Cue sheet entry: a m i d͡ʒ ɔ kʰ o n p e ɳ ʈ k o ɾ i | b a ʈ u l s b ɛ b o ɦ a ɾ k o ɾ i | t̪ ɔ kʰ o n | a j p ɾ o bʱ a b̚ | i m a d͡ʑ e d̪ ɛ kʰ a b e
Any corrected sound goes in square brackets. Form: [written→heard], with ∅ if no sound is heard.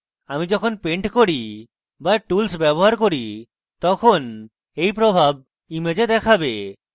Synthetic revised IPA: a m i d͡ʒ ɔ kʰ o n p e ɳ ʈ k o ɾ i | b a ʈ u l s b ɛ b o ɦ a ɾ k o ɾ i | t̪ ɔ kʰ o n | [a→e] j p ɾ o bʱ a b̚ | i m [a→e] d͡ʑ e d̪ ɛ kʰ a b e